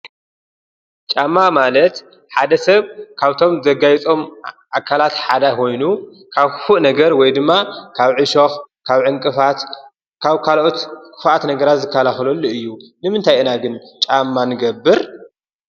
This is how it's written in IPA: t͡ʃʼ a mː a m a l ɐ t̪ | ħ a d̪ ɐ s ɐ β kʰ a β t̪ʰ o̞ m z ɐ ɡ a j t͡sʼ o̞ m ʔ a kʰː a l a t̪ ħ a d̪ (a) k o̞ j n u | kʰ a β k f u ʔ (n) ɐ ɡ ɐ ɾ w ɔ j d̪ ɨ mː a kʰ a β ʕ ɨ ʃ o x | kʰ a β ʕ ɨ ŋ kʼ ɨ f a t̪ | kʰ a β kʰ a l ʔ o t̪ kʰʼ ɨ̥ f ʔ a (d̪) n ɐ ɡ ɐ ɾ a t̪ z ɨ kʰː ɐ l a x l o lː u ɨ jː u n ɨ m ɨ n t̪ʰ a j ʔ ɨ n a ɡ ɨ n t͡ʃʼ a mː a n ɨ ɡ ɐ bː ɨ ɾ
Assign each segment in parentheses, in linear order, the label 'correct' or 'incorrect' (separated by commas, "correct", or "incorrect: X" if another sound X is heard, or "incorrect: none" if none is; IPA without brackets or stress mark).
correct, correct, incorrect: t̪